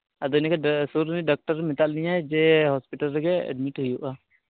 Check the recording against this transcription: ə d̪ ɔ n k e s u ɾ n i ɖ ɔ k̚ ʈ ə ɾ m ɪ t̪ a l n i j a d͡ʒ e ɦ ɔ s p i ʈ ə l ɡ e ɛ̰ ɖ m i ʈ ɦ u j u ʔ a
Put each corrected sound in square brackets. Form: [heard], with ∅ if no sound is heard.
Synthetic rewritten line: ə d̪ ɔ n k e s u ɾ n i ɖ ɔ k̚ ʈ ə ɾ m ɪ t̪ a l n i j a d͡ʒ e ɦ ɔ s p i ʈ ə l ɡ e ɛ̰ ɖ m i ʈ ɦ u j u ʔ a